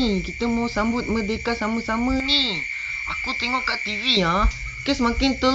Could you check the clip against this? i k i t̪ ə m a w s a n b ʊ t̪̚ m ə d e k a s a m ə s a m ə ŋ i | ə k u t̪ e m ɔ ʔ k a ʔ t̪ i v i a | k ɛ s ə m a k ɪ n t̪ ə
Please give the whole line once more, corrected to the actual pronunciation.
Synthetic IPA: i k i t̪ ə m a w s a m b ʊ t̪̚ m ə d e k a s a m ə s a m ə n i | a k u t̪ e ŋ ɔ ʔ k a ʔ t̪ i v i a | k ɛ s ə m a k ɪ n t̪ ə

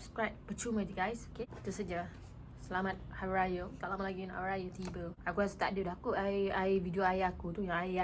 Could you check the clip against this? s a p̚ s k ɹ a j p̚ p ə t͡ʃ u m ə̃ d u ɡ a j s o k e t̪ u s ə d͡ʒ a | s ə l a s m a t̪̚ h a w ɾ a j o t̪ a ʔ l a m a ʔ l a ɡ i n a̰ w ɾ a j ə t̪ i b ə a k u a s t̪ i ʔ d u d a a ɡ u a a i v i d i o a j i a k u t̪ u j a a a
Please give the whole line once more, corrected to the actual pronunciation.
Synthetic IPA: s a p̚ s k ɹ a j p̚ p ə t͡ʃ u m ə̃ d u ɡ a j s o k e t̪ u s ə d͡ʒ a | s ə l a m a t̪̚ h a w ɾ a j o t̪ a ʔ l a m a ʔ l a ɡ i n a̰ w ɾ a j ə t̪ i b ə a k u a s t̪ a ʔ d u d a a k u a a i v i d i o a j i a k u t̪ u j a a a

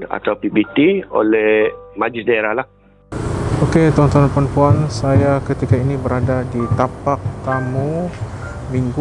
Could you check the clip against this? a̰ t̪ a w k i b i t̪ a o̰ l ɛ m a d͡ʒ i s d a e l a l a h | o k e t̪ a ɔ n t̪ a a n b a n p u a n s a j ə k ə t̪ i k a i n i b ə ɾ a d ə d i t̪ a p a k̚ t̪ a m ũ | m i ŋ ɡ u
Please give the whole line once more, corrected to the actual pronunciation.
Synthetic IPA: a̰ t̪ a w p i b i t̪ i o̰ l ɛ m a d͡ʒ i s d a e ɾ a l a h | o k e t̪ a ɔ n t̪ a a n p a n p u a n s a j a k ə t̪ i k a i n i b ə ɾ a d a d i t̪ a p a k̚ t̪ a m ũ | m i ŋ ɡ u

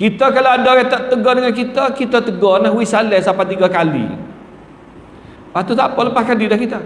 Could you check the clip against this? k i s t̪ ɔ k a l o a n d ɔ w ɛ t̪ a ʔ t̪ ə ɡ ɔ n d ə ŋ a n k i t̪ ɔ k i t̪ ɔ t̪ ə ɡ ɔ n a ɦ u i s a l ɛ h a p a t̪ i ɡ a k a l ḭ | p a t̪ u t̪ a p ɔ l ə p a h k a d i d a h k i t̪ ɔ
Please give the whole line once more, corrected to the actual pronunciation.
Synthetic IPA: k i t̪ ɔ k a l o a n d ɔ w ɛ t̪ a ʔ t̪ ə ɡ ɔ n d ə ŋ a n k i t̪ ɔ k i t̪ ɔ t̪ ə ɡ ɔ n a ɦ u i s a l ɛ s a p a t̪ i ɡ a k a l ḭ | p a t̪ u t̪ a p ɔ l ə p a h k a d i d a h k i t̪ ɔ

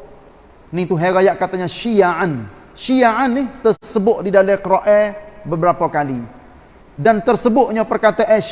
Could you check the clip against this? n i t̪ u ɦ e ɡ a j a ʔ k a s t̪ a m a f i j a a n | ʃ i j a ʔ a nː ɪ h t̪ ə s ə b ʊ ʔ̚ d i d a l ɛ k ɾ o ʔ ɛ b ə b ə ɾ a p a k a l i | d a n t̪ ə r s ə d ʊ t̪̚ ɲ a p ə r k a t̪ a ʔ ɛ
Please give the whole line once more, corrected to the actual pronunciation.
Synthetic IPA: n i t̪ u ɦ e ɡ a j a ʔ k a t̪ a ɲ a ʃ i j a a n | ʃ i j a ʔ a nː ɪ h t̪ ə s ə b ʊ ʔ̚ d i d a l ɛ k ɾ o ʔ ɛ b ə b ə ɾ a p a k a l i | d a n t̪ ə r s ə b ʊ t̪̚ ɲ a p ə r k a t̪ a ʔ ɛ

